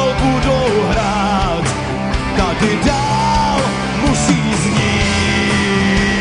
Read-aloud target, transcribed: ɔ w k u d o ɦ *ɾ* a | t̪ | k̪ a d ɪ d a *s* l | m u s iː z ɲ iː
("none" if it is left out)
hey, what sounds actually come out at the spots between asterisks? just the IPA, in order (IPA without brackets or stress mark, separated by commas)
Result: ɾ, none